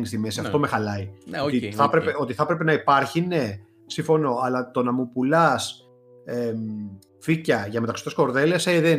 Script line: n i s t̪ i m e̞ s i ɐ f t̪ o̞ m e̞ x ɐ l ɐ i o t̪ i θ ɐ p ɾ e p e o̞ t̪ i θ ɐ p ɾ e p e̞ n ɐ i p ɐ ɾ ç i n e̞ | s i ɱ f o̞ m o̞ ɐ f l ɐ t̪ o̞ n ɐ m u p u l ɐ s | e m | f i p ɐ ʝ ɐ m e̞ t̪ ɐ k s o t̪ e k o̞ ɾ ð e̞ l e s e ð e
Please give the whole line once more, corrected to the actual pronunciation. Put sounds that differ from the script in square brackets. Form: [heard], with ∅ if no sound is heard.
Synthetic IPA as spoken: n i s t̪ i m e̞ s i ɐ f t̪ o̞ m e̞ x ɐ l ɐ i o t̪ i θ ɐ p ɾ e p e o̞ t̪ i θ ɐ p ɾ e p e̞ n ɐ i p ɐ ɾ ç i n e̞ | s i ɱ f o̞ [n] o̞ ɐ [∅] l ɐ t̪ o̞ n ɐ m u p u l ɐ s | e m | f i [c] ɐ ʝ ɐ m e̞ t̪ ɐ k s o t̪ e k o̞ ɾ ð e̞ l e s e ð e